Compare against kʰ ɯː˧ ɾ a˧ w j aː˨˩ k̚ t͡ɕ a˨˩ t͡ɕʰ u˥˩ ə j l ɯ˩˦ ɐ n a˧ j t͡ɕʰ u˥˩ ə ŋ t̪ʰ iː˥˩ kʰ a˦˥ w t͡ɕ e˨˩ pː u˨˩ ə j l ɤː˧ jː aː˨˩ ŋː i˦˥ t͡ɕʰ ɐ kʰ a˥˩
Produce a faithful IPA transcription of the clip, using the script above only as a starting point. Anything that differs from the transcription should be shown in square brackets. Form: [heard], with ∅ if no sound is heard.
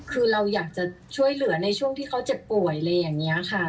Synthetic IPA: kʰ ɯː˧ ɾ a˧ w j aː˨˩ k̚ t͡ɕ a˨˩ t͡ɕʰ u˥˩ ə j l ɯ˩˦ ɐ n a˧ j t͡ɕʰ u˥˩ ə ŋ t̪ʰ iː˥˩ kʰ a˦˥ w t͡ɕ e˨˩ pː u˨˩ ə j l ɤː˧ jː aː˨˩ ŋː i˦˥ [∅] ɐ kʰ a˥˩